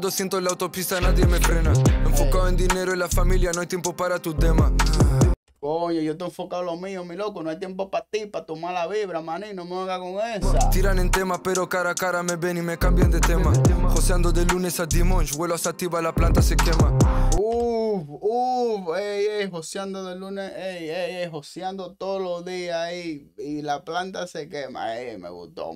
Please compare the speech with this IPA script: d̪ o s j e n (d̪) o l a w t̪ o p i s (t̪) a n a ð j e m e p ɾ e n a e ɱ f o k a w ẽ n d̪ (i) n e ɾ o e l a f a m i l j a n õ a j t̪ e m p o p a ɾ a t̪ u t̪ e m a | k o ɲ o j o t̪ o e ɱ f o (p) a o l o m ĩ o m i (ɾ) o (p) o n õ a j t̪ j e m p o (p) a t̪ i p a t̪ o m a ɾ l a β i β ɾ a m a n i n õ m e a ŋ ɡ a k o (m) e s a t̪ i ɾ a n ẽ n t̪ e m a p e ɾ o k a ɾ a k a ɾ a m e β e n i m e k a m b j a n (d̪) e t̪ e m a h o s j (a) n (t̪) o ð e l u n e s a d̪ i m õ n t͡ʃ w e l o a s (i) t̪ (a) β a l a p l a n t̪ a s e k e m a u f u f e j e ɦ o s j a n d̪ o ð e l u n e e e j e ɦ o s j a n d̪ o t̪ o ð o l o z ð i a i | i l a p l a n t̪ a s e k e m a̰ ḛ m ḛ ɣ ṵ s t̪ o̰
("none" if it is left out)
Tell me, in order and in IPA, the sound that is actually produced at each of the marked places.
t̪, t̪, i, k, l, k, p, ŋ, d̪, a, d̪, a, i

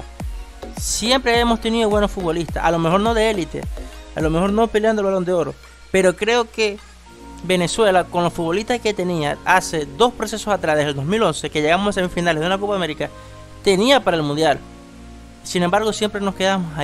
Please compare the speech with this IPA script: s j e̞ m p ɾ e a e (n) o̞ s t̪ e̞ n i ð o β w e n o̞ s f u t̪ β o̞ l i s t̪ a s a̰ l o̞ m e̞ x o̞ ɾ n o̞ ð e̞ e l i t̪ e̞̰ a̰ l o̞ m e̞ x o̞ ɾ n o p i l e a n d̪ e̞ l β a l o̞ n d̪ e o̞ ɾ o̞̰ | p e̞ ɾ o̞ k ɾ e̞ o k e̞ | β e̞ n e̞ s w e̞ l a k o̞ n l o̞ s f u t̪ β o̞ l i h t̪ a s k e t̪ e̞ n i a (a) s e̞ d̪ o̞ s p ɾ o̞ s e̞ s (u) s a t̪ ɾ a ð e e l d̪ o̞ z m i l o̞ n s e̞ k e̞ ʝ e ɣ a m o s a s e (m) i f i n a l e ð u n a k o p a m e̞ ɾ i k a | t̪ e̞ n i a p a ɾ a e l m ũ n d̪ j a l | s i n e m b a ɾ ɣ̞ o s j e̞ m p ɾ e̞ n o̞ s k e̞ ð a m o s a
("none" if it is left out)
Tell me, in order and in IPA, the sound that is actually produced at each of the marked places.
m, a, o, m

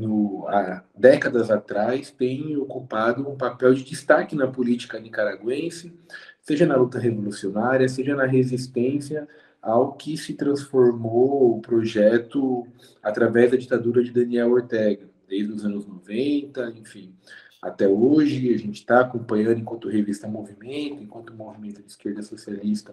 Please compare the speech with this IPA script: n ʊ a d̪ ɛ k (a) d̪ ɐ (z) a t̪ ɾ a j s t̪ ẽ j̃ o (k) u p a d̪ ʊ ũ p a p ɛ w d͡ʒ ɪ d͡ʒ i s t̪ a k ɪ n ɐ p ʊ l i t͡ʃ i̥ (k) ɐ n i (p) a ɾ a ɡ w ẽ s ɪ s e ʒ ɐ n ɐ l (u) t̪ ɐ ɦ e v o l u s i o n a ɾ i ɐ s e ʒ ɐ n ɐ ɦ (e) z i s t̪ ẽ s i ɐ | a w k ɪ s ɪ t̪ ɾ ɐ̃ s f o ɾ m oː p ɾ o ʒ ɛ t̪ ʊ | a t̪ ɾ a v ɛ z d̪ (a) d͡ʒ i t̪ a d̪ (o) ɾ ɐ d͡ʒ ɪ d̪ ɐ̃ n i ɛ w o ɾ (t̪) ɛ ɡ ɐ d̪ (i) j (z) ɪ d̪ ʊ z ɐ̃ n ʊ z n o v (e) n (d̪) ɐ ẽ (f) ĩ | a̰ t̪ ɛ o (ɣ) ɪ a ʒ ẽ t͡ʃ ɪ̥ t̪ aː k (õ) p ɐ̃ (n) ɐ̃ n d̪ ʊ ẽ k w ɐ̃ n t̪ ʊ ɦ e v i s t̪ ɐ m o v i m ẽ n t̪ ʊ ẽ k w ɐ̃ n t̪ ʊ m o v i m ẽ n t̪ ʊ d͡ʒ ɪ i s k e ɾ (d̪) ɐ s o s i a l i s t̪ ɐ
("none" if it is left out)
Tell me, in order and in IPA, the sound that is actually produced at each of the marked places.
ɐ, z, k, k, k, u, e, ɐ, u, t̪, e, z, ẽ, t̪, f, ʒ, õ, ɲ, d̪

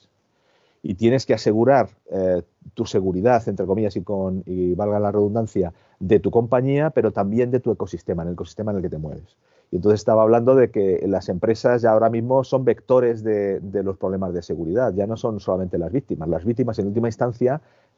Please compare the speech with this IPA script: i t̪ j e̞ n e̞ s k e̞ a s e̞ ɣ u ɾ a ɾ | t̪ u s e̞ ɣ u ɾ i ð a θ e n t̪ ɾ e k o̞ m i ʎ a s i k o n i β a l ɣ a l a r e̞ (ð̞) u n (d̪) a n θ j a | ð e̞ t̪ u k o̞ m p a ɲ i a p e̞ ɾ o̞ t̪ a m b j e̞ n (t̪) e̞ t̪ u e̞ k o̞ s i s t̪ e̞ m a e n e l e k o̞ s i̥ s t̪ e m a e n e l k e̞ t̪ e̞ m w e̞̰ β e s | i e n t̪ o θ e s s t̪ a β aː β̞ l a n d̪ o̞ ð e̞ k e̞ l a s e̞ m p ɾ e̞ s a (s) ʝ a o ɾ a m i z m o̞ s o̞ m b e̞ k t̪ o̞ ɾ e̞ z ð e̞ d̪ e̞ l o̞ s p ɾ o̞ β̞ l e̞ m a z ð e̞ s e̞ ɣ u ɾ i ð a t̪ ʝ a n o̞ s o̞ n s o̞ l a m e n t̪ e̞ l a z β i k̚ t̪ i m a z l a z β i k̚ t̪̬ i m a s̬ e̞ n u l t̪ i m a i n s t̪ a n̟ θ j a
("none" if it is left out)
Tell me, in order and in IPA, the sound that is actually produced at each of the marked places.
ð̞, d̪, d̪, z

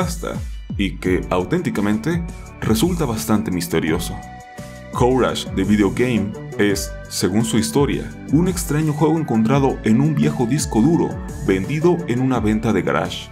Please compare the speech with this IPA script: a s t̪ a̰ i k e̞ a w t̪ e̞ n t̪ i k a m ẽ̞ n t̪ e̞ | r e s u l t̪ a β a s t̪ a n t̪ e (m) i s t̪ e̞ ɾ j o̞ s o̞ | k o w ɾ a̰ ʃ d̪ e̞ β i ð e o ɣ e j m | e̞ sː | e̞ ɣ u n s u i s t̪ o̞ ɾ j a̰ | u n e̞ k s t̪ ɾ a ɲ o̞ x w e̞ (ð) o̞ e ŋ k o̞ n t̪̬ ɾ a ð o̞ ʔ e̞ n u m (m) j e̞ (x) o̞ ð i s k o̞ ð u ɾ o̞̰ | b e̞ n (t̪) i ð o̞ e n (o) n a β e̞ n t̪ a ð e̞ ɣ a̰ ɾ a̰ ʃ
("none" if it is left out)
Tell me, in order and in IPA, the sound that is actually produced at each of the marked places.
m, ɣ, b, x, d̪, u

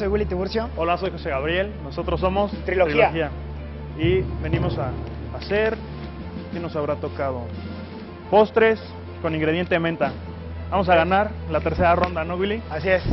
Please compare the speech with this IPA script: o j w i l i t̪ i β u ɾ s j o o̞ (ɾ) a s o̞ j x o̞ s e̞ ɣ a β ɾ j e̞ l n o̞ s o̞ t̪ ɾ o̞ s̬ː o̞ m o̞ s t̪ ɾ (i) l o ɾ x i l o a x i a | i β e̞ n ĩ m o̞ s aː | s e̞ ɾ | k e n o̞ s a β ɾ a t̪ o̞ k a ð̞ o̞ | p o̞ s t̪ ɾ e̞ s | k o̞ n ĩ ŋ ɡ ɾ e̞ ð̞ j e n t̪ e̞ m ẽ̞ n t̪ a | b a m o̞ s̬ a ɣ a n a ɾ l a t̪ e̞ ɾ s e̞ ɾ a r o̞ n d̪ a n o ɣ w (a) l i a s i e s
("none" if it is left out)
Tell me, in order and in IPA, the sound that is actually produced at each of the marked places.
l, i, i

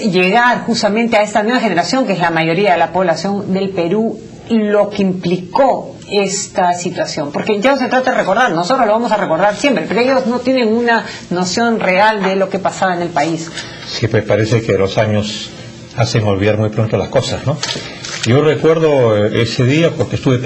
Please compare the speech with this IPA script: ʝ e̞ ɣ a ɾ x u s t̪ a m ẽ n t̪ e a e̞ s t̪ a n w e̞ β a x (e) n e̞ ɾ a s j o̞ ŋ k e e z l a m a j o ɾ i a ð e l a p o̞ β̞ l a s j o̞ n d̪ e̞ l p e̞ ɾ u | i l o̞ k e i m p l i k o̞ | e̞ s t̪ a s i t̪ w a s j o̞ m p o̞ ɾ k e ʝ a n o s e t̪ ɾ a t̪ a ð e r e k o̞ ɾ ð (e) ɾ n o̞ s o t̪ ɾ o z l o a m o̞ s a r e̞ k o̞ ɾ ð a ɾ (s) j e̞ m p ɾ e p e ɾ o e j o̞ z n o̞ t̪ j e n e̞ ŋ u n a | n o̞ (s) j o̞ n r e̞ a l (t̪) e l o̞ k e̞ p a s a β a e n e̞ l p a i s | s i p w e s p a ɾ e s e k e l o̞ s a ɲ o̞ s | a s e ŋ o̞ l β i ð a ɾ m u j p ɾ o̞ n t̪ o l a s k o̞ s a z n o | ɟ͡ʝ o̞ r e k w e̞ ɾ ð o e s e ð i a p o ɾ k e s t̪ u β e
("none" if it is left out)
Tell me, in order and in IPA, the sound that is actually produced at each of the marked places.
e, a, s, s, d̪

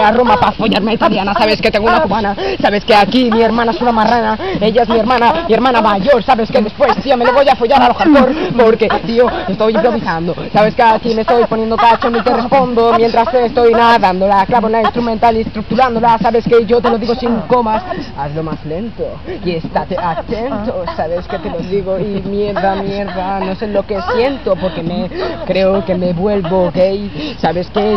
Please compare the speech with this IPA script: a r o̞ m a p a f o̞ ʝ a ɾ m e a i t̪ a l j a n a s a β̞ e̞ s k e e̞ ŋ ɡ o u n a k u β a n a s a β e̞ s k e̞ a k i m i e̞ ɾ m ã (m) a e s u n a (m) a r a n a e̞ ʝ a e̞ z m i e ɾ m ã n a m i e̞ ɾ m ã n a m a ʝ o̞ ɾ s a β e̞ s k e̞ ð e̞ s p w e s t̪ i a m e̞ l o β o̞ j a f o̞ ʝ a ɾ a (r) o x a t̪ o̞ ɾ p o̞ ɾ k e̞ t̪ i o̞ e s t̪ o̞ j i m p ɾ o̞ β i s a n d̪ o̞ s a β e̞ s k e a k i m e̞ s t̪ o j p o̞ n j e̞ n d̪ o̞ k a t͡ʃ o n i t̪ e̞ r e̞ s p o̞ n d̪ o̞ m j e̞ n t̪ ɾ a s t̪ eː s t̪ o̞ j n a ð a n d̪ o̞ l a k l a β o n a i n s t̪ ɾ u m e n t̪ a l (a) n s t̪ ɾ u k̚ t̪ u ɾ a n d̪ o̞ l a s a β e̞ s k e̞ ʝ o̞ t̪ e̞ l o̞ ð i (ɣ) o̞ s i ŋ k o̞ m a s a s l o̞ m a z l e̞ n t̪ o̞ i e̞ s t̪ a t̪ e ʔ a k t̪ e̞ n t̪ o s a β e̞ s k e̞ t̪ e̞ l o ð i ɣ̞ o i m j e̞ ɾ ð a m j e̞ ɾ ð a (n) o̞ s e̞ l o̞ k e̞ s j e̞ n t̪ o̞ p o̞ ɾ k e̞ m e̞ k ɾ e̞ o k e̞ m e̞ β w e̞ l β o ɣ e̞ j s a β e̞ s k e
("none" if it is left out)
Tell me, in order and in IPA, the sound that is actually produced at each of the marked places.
n, m, l, i, ɣ, n

